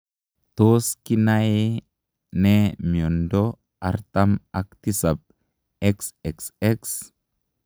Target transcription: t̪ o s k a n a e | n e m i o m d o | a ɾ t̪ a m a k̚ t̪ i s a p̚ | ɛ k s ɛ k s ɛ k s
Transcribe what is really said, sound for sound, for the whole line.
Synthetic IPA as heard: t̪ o s k i n a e | n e m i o n d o | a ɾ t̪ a m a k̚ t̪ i s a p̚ | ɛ k s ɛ k s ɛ k s